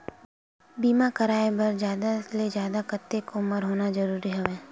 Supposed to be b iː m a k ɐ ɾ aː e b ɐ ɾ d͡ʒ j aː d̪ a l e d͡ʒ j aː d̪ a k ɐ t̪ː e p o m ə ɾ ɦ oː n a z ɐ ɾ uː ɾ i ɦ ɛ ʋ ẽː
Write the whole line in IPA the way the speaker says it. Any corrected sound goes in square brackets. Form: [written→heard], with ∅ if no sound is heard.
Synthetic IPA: b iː m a k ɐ ɾ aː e b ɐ ɾ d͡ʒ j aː d̪ a l e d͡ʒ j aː d̪ a k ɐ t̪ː e [p→k] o m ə ɾ ɦ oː n a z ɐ ɾ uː ɾ i ɦ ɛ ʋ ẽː